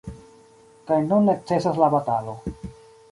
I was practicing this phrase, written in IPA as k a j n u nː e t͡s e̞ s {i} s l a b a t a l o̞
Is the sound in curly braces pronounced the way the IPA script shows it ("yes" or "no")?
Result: no